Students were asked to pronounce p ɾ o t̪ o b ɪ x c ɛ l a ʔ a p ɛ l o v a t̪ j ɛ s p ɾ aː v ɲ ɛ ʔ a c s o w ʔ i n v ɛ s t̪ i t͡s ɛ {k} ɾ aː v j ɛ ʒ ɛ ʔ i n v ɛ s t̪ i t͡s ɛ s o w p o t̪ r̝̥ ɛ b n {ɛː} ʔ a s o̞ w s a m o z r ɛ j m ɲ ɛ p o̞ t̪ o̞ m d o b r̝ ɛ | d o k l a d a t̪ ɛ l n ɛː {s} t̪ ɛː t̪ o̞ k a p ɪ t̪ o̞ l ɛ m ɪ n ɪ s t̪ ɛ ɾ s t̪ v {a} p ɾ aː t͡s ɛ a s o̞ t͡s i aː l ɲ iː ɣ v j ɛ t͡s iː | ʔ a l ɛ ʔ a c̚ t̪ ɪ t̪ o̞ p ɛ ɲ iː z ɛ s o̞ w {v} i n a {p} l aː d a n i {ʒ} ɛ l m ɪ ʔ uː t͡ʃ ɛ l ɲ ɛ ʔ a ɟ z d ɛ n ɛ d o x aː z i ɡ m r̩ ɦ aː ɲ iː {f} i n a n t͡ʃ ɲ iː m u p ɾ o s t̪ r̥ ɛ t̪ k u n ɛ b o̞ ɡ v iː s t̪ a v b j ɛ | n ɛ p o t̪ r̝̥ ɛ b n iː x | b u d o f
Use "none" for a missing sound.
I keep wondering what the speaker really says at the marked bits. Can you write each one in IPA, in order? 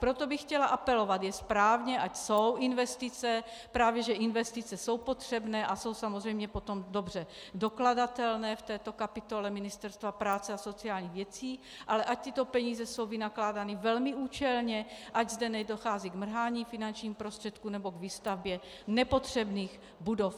p, ɛː, f, a, v, k, v, f

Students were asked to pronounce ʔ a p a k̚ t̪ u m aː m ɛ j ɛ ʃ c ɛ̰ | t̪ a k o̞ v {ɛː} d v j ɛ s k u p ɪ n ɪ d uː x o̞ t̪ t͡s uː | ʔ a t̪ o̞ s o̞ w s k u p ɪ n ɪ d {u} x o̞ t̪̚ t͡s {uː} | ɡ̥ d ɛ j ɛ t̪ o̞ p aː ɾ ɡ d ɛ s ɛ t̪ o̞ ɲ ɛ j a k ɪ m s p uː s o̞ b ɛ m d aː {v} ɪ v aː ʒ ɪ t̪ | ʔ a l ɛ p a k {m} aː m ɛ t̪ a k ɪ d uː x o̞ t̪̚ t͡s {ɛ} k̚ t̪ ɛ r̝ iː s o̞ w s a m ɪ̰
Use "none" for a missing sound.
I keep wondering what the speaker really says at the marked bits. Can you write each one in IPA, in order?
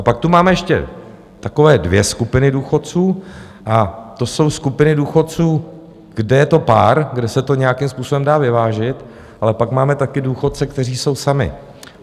ɛː, uː, uː, v, m, ɛ

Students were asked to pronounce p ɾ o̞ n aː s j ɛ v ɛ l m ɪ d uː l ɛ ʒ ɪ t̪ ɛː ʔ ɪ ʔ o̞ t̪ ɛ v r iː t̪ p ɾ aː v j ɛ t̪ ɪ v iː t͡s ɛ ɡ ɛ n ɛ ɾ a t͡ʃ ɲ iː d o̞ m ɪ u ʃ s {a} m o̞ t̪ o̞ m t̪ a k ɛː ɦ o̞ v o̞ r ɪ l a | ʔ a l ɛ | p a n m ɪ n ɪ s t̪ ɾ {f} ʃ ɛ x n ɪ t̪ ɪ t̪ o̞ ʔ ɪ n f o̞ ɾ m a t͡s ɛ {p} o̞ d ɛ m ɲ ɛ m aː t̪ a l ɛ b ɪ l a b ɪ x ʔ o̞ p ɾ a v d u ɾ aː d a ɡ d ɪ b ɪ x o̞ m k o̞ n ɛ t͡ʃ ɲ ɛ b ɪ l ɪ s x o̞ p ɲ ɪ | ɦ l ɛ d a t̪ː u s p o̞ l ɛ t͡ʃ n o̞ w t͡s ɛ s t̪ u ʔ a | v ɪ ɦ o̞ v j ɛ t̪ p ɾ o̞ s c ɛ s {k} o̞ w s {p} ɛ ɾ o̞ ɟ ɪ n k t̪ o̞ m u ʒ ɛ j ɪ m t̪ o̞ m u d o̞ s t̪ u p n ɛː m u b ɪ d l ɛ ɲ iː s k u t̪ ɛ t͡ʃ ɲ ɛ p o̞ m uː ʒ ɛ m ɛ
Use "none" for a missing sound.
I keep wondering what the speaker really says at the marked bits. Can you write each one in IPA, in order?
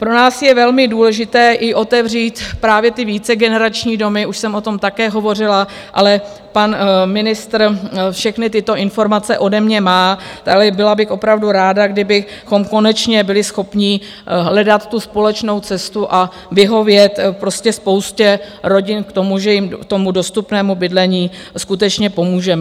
ɛ, f, ʔ, p, c

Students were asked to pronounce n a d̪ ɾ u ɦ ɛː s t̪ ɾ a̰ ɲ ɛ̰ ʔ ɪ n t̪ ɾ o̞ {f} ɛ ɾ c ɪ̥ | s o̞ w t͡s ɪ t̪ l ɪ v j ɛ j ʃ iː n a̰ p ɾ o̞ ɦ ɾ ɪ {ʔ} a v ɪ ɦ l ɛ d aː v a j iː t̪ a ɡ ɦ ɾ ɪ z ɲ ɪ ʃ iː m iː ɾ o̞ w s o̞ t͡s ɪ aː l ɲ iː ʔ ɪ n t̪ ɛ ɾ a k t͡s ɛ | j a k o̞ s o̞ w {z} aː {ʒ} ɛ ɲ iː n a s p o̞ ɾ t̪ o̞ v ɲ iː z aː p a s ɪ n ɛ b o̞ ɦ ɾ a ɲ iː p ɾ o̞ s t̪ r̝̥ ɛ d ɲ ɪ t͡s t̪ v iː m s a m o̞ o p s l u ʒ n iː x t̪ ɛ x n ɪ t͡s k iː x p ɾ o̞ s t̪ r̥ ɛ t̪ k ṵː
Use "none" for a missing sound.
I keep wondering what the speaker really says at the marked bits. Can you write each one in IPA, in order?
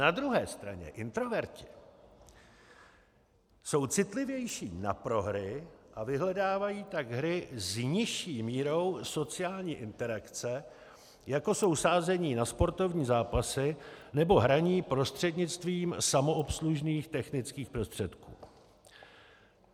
v, ʔ, s, z

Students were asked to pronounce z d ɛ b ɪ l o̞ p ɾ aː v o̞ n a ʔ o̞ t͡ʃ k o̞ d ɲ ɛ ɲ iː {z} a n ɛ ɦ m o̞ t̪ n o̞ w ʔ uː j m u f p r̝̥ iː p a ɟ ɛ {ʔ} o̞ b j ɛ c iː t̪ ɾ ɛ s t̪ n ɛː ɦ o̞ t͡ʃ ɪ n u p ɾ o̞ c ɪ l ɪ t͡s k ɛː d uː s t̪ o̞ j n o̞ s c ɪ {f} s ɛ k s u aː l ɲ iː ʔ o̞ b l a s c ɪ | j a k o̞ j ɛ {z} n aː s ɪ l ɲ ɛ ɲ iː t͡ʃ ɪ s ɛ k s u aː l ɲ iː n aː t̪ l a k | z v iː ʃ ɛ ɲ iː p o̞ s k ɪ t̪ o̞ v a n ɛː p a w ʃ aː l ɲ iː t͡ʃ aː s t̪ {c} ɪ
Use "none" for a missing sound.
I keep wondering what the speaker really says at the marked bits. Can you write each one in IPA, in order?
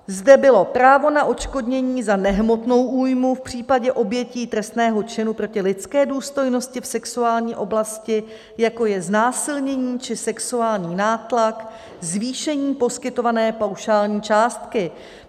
z, ʔ, f, z, k

